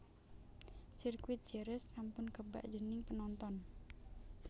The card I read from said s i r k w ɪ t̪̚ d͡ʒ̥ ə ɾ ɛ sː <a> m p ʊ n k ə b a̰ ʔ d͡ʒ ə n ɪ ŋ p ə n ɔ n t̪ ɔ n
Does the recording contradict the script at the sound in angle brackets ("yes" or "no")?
no